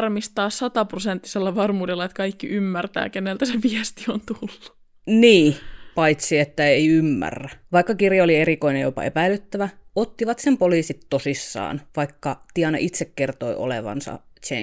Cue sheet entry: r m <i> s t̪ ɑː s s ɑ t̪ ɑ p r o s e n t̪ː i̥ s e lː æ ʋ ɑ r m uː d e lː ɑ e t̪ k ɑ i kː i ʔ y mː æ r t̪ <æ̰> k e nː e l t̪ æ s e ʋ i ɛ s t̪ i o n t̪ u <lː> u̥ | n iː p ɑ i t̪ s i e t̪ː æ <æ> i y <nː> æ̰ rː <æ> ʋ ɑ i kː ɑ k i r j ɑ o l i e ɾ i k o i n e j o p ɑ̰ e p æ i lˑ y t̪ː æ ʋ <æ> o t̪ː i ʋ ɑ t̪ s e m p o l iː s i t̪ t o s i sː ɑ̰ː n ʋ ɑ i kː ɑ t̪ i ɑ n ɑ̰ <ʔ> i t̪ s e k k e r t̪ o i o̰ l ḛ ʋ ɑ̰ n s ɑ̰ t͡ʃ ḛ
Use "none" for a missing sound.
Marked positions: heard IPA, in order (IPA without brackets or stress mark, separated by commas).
i, æ̰ː, lː, e, mː, æ, æ, ʔ